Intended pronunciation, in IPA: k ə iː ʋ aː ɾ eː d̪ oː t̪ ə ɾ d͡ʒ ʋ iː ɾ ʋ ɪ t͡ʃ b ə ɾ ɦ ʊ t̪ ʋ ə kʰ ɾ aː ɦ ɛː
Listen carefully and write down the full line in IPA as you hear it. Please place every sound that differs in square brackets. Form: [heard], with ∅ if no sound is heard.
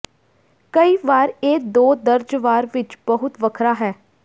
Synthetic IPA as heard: k ə iː ʋ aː ɾ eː d̪ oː [d̪] ə ɾ d͡ʒ ʋ [aː] ɾ ʋ ɪ t͡ʃ b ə [∅] ɦ ʊ t̪ ʋ ə kʰ ɾ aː ɦ ɛː